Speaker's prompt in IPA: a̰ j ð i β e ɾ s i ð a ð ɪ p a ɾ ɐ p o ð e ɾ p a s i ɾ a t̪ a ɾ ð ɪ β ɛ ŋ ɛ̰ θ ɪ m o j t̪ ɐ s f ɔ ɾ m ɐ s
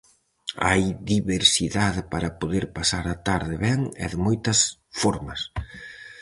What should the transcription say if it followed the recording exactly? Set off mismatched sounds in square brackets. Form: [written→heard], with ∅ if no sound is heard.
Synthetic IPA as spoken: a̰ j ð i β e ɾ s i ð a ð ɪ p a ɾ ɐ p o ð e ɾ p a s [i→a] ɾ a t̪ a ɾ ð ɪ β ɛ ŋ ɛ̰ [θ→ð] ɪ m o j t̪ ɐ s f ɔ ɾ m ɐ s